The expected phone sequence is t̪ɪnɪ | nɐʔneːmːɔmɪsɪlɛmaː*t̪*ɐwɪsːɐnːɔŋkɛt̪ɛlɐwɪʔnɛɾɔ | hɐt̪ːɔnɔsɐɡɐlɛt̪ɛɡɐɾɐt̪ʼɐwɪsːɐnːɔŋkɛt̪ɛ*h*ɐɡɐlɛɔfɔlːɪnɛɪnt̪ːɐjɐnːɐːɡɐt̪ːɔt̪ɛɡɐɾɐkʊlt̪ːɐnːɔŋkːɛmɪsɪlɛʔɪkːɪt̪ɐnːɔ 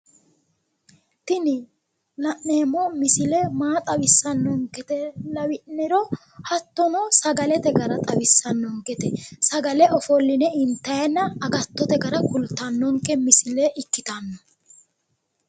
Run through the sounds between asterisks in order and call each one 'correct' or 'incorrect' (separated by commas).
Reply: incorrect, incorrect